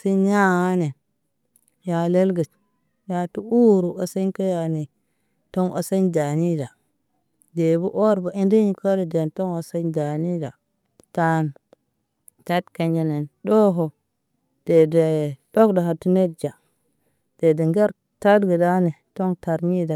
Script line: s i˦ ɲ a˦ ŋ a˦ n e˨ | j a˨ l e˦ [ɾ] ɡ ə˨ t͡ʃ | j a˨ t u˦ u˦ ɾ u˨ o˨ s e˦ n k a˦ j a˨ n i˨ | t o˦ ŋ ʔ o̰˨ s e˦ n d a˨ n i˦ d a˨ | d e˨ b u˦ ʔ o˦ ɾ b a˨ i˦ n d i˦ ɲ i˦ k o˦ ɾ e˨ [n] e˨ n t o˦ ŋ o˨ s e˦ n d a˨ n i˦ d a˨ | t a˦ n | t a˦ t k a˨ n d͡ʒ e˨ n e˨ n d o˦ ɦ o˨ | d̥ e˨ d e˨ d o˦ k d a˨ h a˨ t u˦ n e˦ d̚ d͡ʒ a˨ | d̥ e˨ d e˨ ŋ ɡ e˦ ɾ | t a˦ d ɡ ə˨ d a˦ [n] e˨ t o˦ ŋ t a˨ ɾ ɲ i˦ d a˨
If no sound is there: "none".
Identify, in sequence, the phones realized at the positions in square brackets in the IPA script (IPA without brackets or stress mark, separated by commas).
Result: l, d, n